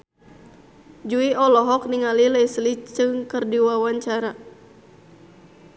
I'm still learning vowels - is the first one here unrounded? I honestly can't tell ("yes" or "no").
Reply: no